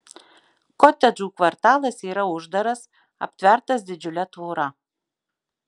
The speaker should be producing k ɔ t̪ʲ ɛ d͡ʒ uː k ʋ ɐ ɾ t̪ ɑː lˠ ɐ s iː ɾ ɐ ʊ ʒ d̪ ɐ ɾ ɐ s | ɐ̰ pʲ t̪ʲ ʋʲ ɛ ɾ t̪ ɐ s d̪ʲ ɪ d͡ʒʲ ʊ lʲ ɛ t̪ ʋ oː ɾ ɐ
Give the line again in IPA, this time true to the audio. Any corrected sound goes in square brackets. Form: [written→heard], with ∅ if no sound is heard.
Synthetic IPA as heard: k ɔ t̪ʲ ɛ d͡ʒ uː k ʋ ɐ ɾ t̪ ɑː lˠ ɐ s iː ɾ ɐ ʊ ʒ d̪ ɐ ɾ ɐ s | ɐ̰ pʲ t̪ʲ ʋʲ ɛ ɾ t̪ ɐ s d̪ʲ ɪ d͡ʒʲ ʊ lʲ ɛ t̪ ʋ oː ɾ ɐ